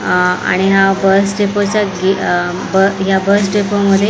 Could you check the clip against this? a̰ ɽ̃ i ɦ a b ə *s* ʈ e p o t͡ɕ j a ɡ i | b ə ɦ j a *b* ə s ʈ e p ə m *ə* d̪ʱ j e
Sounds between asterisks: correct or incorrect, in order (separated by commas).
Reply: correct, correct, correct